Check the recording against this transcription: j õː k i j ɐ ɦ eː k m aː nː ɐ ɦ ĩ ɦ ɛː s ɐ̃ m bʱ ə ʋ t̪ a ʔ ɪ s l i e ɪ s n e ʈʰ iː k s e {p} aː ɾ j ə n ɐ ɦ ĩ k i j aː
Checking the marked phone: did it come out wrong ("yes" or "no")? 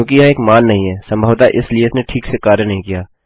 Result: yes